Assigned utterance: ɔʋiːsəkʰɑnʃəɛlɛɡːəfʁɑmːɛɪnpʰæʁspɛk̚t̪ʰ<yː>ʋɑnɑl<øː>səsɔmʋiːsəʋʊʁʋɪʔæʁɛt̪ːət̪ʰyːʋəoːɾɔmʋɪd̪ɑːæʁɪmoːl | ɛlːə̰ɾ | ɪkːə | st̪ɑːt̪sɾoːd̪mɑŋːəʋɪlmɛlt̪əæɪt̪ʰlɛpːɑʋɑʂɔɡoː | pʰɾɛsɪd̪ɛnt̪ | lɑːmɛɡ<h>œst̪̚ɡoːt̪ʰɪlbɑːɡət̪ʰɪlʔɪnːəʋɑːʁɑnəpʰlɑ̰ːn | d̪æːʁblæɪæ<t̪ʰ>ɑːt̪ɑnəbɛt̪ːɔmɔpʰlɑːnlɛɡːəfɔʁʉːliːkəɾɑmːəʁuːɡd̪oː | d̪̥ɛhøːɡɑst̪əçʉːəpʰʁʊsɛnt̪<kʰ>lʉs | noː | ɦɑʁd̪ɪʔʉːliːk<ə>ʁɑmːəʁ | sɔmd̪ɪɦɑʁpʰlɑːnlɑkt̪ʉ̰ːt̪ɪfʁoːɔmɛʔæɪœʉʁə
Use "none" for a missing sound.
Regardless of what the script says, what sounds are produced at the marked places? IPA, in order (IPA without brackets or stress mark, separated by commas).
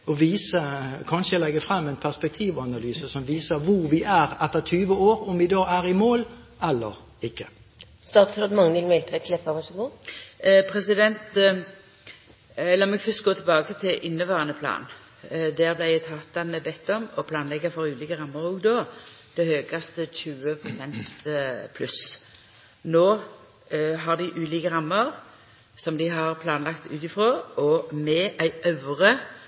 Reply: iː, yː, f, t̪ʰ, pʰ, ə